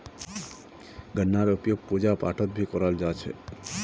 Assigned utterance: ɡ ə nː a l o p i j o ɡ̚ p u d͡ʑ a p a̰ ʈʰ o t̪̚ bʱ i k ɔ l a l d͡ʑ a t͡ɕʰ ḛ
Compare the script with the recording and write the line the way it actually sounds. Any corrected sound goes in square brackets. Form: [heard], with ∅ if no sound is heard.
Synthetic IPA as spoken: ɡ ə nː a [ɾ] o p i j o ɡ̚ p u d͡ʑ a p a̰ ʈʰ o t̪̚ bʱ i k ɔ [ɾ] a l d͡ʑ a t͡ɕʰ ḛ